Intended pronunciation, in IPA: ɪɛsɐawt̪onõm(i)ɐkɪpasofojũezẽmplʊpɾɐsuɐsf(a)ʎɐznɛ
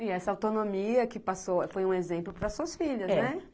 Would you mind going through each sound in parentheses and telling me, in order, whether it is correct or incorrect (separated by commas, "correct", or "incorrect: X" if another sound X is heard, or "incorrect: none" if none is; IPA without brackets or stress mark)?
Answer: correct, incorrect: i